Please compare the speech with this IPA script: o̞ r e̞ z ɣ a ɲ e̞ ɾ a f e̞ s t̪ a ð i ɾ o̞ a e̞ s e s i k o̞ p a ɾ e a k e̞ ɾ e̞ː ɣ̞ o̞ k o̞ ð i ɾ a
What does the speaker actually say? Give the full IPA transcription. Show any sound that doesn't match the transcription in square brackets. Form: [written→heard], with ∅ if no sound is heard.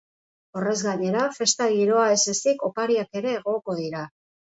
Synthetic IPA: o̞ r e̞ z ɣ a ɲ e̞ ɾ a f e̞ s t̪ a [ð→ɣ] i ɾ o̞ a e̞ s e s i k o̞ p a ɾ [e→i] a k e̞ ɾ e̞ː ɣ̞ o̞ k o̞ ð i ɾ a

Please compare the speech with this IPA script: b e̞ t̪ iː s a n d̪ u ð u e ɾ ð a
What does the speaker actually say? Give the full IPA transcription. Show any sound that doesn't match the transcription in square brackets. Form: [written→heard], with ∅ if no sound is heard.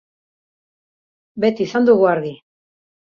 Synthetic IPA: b e̞ t̪ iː s a n d̪ u [ð→ɣ] u [e→a] ɾ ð [a→i]

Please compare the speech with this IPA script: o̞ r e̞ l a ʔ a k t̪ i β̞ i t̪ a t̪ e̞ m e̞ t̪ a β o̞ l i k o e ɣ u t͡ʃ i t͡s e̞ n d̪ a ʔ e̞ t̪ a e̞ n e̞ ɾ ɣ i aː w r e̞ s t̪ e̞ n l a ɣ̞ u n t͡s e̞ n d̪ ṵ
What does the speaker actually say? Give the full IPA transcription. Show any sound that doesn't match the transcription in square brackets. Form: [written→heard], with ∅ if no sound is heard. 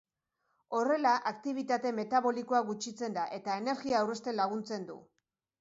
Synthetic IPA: o̞ r e̞ l a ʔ a k t̪ i β̞ i t̪ a t̪ e̞ m e̞ t̪ a β o̞ l i k o [e→a] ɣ u t͡ʃ i t͡s e̞ n d̪ a ʔ e̞ t̪ a e̞ n e̞ ɾ ɣ i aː w r e̞ s t̪ e̞ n l a ɣ̞ u n t͡s e̞ n d̪ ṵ

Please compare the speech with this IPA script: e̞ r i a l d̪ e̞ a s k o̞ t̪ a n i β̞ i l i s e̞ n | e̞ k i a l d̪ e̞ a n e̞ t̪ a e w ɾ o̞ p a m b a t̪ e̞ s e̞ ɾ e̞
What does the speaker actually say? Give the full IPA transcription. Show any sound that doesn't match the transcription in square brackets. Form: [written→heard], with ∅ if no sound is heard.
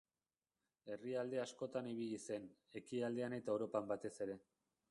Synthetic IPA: e̞ r i a l d̪ e̞ a s k o̞ t̪ a n i β̞ i [l→ʎ] i s e̞ n | e̞ k i a l d̪ e̞ a n e̞ t̪ a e w ɾ o̞ p a m b a t̪ e̞ s e̞ ɾ e̞

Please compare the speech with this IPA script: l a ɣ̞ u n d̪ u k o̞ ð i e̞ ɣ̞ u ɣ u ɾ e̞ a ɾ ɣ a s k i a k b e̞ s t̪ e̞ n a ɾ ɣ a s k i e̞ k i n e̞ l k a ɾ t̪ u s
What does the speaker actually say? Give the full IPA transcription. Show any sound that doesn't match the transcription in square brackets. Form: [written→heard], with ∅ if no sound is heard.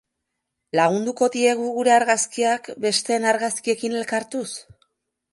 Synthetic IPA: l a ɣ̞ u n d̪ u k o̞ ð i e̞ ɣ̞ u ɣ u ɾ e̞ a ɾ ɣ a s k i a k b e̞ s t̪ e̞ n a ɾ ɣ a s k i e̞ k i n e̞ l k a ɾ t̪ u s

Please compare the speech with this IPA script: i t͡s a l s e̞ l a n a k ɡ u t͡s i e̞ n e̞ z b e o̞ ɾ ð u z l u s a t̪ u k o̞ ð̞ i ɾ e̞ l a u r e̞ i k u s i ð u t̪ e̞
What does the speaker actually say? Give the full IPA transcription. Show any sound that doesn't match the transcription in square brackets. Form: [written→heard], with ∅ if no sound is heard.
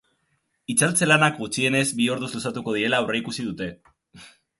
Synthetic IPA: i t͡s a l [s→t͡s] e̞ l a n a k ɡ u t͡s i e̞ n e̞ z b [e→i] o̞ ɾ ð u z l u s a t̪ u k o̞ ð̞ i ɾ e̞ l a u r e̞ i k u s i ð u t̪ e̞

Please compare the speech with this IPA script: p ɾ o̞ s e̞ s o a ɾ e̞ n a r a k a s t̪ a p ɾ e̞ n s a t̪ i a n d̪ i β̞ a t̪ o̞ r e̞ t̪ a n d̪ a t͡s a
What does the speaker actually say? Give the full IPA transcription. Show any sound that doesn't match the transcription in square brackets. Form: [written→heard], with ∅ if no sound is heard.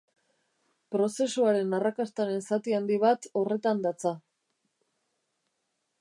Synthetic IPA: p ɾ o̞ s e̞ s [o→u] a ɾ e̞ n a r a k a s t̪ a [p→∅] ɾ e̞ n s a t̪ i a n d̪ i β̞ a t̪ o̞ r e̞ t̪ a n d̪ a t͡s a

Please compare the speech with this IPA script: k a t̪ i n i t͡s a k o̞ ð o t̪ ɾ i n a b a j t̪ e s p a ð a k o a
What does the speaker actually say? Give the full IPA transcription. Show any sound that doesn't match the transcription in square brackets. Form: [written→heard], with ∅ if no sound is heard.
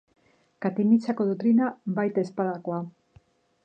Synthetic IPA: k a t̪ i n i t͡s a k o̞ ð o t̪ ɾ i n a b a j t̪ e s p a ð a k o a

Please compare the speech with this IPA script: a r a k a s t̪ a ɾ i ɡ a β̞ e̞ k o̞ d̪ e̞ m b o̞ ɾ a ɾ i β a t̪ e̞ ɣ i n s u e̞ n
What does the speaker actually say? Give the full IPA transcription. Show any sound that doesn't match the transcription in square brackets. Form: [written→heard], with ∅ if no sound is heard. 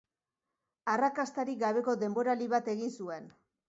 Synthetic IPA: a r a k a s t̪ a ɾ i ɡ a β̞ e̞ k o̞ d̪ e̞ m b o̞ ɾ a [ɾ→l] i β a t̪ e̞ ɣ i n s u e̞ n

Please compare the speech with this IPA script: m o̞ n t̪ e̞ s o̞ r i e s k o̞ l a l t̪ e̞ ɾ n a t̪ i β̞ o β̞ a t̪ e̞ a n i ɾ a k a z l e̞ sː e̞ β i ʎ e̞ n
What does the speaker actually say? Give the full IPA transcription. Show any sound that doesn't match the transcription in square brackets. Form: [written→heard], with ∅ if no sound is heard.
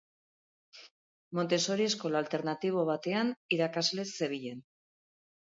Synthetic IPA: m o̞ n t̪ e̞ s o̞ [r→ɾ] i e s k o̞ l a l t̪ e̞ ɾ n a t̪ i β̞ o β̞ a t̪ e̞ a n i ɾ a k a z l e̞ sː e̞ β i ʎ e̞ n

